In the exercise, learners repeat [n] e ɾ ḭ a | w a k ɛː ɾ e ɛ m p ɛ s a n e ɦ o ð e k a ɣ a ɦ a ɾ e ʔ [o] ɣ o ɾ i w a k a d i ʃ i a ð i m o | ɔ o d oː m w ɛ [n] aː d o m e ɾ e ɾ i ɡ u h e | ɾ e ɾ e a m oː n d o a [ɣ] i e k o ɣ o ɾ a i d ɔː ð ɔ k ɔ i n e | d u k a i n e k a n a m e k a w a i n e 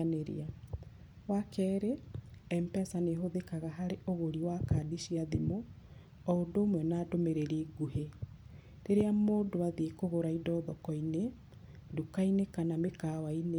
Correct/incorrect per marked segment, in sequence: correct, correct, correct, incorrect: ð

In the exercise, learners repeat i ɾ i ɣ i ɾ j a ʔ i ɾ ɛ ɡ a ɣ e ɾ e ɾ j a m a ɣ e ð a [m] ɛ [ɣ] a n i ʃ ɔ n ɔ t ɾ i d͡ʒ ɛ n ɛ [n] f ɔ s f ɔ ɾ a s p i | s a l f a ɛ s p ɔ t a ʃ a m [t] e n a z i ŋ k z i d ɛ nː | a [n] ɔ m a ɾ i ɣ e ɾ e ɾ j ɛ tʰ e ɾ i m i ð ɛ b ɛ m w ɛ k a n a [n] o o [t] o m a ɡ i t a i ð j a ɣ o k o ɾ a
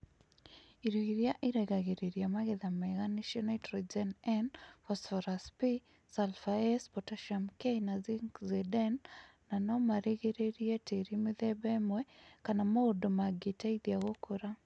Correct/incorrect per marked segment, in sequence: correct, correct, correct, incorrect: k, correct, incorrect: m, incorrect: d

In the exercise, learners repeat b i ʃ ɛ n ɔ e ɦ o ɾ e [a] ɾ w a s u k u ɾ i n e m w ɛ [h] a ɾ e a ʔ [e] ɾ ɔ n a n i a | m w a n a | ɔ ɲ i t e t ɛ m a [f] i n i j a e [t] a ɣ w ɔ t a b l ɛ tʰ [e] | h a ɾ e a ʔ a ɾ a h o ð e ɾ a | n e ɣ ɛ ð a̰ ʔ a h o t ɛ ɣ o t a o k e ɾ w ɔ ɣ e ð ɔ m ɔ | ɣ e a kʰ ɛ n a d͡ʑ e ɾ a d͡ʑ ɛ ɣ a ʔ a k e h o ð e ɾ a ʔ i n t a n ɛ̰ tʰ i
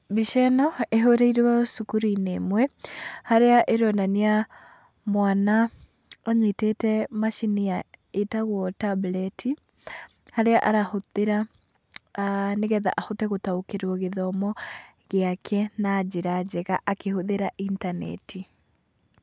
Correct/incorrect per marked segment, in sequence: incorrect: i, correct, correct, incorrect: ʃ, correct, incorrect: i

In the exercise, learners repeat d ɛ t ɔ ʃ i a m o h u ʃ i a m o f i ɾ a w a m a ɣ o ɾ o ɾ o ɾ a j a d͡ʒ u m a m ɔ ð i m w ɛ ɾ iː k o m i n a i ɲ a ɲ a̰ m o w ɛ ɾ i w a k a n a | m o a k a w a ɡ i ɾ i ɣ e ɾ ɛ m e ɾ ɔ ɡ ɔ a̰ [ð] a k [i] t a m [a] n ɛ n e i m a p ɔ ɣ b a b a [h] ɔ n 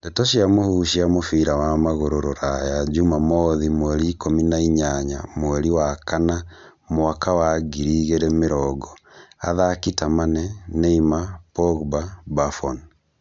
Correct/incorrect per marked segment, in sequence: correct, correct, correct, incorrect: f

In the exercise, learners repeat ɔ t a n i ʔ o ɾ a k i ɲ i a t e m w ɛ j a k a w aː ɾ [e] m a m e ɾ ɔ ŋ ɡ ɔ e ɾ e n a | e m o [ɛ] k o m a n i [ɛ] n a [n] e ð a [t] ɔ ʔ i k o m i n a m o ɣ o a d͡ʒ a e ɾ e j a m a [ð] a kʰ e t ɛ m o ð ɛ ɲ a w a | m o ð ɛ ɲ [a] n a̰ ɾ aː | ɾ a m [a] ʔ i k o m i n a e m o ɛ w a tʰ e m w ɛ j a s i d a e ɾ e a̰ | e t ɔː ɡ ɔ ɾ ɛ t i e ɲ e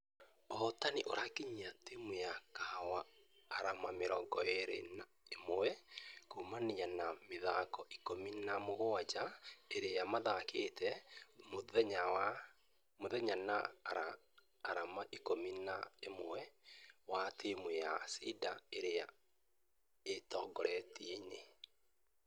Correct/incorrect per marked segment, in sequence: incorrect: a, correct, incorrect: a, incorrect: m, incorrect: k, correct, correct, correct

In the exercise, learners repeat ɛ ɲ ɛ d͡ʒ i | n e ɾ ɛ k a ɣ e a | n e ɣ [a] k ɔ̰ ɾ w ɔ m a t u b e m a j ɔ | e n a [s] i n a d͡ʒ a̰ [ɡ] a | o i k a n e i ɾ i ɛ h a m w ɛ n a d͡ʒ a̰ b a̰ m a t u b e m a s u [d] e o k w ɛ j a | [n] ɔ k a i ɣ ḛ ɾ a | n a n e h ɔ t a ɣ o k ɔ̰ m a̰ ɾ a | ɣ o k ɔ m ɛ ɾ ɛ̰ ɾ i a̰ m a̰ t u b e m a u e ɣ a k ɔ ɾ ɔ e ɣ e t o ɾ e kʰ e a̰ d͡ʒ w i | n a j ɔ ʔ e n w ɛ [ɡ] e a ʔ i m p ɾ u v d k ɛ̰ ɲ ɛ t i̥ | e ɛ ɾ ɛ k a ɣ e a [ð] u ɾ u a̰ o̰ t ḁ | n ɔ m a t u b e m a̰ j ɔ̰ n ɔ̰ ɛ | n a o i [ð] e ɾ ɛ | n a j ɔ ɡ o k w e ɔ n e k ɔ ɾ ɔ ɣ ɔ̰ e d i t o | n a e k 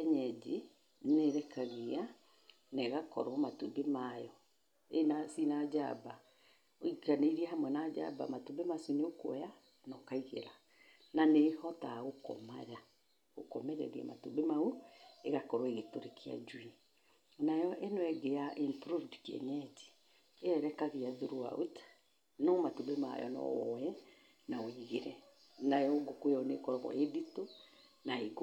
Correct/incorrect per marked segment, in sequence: correct, correct, incorrect: b, incorrect: n, correct, correct, correct, incorrect: ɣ

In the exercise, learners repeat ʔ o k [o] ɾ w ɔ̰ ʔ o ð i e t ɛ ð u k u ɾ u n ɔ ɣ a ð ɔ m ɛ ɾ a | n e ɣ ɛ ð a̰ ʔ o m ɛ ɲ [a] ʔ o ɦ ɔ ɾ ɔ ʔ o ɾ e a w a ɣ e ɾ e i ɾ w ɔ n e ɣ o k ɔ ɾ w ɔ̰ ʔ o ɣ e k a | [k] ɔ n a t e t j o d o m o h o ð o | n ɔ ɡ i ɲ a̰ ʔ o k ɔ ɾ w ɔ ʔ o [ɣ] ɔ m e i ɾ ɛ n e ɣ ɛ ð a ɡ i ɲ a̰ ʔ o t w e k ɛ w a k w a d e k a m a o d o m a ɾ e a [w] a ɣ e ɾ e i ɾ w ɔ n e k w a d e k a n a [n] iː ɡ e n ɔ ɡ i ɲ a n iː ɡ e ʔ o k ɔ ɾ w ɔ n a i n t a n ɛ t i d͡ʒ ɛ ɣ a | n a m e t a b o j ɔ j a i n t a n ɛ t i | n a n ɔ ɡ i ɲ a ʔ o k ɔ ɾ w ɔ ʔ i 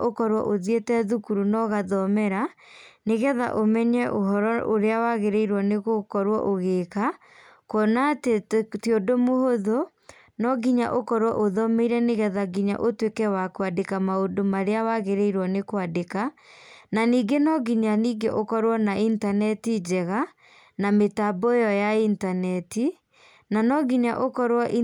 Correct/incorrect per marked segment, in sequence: incorrect: ɔ, incorrect: ɛ, correct, incorrect: ð, correct, correct

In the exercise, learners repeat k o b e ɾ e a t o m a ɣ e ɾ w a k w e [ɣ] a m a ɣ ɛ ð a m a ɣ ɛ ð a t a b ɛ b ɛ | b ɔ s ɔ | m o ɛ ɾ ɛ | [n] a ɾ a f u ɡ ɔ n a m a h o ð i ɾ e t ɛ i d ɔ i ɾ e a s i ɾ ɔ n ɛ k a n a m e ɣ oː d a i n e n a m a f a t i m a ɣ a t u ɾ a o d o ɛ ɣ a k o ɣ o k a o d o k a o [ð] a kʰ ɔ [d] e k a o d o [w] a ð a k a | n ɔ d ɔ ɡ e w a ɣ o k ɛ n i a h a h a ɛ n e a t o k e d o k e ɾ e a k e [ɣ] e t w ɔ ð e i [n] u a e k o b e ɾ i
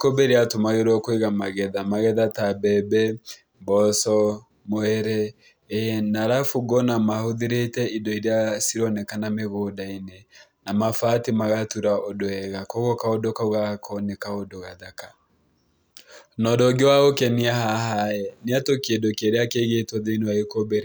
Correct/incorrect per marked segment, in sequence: correct, correct, incorrect: ɣ, incorrect: n, incorrect: ɣ, correct, correct

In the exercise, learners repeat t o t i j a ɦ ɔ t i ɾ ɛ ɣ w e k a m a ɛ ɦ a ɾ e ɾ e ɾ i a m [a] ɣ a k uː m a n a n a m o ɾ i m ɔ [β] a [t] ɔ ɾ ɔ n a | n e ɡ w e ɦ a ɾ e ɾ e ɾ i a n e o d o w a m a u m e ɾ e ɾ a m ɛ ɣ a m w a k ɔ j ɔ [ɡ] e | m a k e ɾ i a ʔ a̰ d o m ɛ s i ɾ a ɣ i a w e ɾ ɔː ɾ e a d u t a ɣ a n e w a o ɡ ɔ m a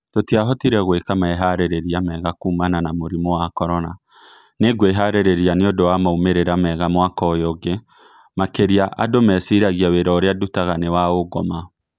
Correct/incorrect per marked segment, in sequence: incorrect: ɛ, incorrect: w, incorrect: k, correct

